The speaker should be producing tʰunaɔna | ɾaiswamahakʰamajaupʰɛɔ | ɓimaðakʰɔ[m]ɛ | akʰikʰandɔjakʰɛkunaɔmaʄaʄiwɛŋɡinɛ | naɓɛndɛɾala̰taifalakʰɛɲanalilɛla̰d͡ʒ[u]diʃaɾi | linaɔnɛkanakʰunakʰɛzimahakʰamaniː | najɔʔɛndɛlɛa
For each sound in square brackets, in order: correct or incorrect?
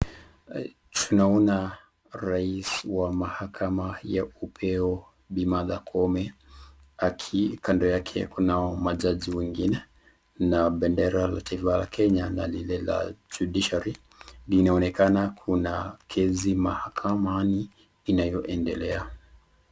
correct, correct

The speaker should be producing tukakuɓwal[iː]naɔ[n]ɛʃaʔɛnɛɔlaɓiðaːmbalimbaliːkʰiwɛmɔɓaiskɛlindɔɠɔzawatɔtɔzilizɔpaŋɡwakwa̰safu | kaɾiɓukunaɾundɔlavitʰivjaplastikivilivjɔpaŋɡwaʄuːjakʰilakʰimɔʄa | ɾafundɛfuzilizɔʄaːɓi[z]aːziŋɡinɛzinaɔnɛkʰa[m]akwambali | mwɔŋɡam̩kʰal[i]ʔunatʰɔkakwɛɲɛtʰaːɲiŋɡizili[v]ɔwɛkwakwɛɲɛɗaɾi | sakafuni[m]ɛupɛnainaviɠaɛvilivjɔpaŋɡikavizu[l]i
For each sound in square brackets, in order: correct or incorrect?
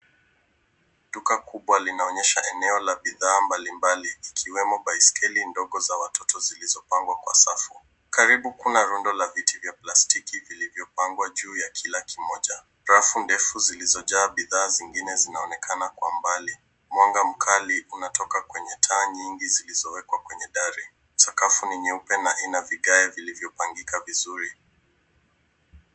incorrect, incorrect, incorrect, incorrect, correct, incorrect, incorrect, incorrect

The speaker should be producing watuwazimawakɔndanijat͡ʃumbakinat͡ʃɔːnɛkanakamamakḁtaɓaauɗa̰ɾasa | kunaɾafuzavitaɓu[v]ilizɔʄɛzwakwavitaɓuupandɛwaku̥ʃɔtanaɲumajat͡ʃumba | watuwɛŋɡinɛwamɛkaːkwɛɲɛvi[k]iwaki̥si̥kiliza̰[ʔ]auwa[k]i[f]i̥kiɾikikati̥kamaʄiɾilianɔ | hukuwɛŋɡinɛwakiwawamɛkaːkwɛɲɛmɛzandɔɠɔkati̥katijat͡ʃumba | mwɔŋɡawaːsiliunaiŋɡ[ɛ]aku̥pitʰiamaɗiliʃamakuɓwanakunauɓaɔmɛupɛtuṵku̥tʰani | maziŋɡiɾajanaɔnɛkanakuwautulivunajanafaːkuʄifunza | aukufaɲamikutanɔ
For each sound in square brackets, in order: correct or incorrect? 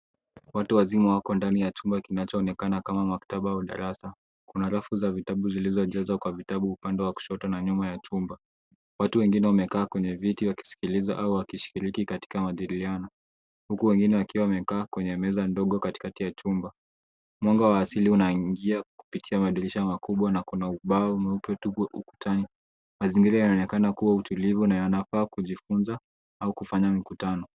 incorrect, incorrect, correct, correct, incorrect, incorrect

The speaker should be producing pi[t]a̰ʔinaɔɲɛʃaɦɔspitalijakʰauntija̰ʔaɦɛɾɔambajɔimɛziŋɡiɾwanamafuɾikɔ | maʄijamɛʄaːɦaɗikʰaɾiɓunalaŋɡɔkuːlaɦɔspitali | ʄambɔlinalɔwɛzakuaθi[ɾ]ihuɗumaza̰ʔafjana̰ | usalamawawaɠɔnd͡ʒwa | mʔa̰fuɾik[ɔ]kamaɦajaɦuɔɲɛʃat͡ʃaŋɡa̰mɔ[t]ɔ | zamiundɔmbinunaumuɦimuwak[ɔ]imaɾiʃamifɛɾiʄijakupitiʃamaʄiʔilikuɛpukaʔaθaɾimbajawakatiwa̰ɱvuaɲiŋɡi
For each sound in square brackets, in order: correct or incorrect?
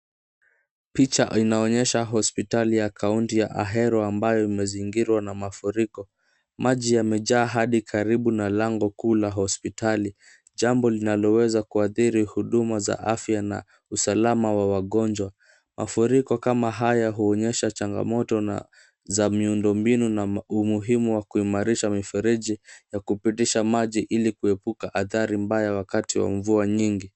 incorrect, correct, correct, correct, incorrect

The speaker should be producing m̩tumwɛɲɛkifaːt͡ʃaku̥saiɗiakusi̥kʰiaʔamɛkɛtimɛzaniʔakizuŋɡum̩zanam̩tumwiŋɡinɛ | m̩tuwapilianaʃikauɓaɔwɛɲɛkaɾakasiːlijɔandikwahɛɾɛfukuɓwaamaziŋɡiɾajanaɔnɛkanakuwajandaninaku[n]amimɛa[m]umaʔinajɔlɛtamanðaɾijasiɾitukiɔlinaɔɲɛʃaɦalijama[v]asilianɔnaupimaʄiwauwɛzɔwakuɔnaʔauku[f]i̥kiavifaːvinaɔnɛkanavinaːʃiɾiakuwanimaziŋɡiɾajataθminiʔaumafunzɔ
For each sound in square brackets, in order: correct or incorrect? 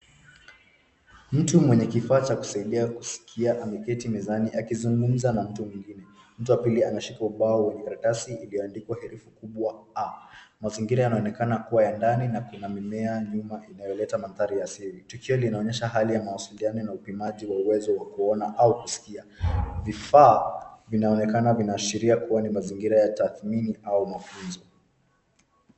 correct, incorrect, incorrect, incorrect

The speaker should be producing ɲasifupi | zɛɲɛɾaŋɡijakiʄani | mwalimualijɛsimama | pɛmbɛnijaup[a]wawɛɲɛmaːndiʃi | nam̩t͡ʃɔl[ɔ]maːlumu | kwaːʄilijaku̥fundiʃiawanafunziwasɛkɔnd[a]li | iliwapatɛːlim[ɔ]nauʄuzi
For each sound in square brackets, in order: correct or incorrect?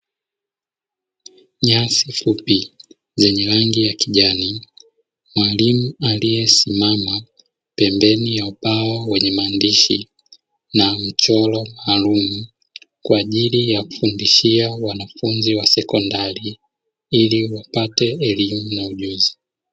correct, correct, correct, incorrect

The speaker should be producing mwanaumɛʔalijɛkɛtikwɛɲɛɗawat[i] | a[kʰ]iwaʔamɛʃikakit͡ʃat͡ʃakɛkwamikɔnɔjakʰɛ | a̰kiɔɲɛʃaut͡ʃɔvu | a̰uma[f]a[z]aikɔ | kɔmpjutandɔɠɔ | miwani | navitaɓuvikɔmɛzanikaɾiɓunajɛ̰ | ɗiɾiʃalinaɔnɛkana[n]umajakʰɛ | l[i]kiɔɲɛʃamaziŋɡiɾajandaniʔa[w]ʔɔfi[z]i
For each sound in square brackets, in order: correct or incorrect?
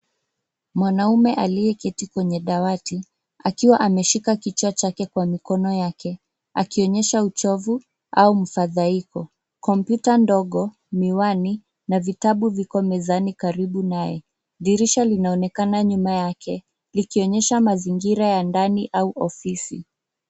correct, incorrect, correct, incorrect, incorrect, correct, incorrect, incorrect

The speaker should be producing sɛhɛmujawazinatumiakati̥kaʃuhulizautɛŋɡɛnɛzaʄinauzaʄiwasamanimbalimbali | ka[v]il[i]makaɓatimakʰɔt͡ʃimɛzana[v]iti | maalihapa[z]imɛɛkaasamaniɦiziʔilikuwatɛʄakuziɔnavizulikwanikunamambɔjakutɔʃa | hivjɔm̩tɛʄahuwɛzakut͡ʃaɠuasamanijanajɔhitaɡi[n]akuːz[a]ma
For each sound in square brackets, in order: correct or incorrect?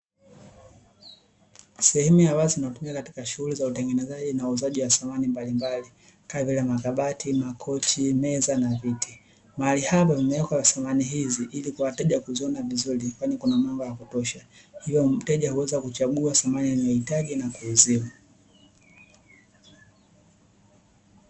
correct, incorrect, correct, incorrect, correct, incorrect

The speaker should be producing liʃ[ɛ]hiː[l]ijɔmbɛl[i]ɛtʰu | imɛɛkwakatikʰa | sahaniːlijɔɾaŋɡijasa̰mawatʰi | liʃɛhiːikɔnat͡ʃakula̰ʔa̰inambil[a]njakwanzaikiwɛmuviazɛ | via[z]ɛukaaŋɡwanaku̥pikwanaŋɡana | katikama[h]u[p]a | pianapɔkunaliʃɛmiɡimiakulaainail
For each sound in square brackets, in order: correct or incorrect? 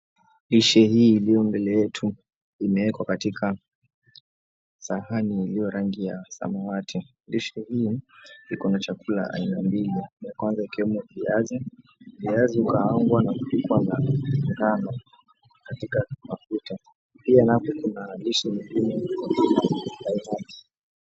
correct, correct, incorrect, incorrect, correct, incorrect, incorrect

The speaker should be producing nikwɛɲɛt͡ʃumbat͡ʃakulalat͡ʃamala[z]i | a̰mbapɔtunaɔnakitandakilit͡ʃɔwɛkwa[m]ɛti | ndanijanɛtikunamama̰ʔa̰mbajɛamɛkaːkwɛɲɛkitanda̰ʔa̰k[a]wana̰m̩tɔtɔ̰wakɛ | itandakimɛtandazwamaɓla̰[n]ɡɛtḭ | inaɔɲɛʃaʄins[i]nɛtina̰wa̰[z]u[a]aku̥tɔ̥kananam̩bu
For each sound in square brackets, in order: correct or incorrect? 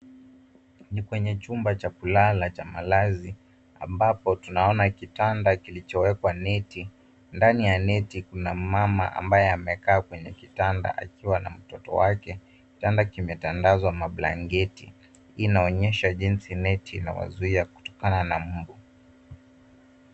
correct, incorrect, incorrect, incorrect, correct, correct, incorrect

